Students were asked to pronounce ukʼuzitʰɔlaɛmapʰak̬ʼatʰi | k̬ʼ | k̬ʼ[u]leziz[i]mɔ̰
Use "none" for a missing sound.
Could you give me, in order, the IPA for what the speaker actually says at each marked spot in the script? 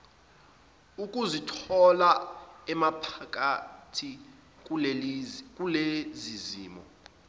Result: u, iː

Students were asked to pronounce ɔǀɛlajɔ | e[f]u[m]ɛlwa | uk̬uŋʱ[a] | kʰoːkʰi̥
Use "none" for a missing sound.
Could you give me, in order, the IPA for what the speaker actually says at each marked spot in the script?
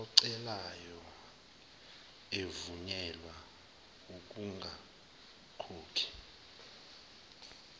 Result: v, ɲ, a

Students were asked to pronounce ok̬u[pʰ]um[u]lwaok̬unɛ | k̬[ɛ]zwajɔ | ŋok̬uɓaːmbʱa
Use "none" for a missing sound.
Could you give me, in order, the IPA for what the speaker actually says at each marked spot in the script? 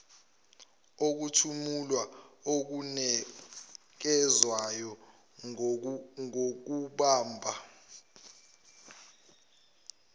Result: tʰ, u, ɛ

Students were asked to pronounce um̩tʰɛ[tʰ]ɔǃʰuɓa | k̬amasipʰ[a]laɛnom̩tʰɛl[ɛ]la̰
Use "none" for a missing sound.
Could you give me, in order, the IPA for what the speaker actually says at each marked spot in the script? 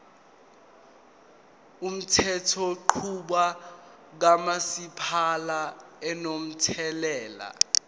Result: tʰ, a, ɛː

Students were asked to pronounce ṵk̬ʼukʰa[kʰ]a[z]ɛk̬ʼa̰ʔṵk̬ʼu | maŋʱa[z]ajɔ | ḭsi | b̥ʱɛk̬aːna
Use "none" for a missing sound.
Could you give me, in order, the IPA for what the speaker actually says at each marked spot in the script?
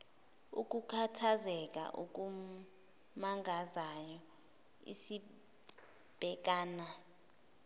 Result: tʰ, z, z

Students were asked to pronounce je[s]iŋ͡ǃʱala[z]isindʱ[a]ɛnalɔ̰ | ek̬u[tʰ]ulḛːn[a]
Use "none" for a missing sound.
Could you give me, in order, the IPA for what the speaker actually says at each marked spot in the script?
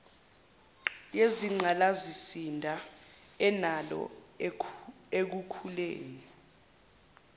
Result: z, z, a, kʰ, i

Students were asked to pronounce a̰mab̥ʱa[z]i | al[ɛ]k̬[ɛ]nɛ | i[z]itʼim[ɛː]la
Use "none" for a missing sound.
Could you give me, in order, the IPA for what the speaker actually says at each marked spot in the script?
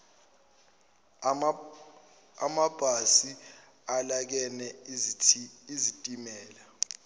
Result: s, a, ɛ, z, ɛː

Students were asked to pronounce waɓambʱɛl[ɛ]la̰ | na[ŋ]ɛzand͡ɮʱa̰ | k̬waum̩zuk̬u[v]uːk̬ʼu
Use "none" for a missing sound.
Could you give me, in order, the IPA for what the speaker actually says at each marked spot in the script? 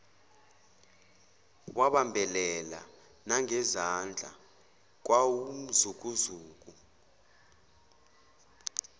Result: ɛ, ŋ, z

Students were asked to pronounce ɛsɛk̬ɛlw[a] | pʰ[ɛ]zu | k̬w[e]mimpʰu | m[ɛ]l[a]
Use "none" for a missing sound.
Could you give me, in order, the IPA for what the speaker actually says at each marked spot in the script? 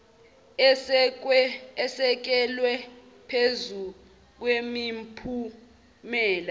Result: ɛ, e, e, ɛː, a

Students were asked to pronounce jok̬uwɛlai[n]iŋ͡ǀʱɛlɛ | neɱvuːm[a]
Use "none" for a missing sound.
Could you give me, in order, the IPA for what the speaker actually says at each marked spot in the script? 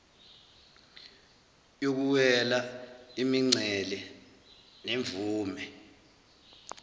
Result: m, ɛ

